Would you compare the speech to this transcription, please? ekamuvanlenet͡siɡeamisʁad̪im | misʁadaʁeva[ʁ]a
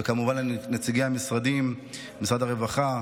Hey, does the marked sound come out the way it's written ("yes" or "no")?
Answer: no